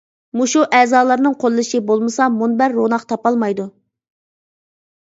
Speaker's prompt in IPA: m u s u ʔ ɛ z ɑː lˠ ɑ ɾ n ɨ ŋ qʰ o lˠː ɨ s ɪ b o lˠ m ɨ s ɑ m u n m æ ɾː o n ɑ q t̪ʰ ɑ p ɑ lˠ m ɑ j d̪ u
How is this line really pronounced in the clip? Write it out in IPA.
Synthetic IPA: m u ʃ u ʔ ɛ z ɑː lˠ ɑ ɾ n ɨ ŋ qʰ o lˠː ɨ ʃ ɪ b o lˠ m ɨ s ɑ m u n b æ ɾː o n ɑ q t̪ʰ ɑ p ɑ lˠ m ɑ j d̪ u